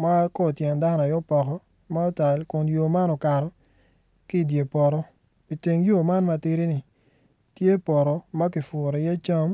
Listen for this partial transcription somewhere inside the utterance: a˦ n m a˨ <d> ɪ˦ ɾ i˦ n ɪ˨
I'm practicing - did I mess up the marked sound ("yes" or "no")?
yes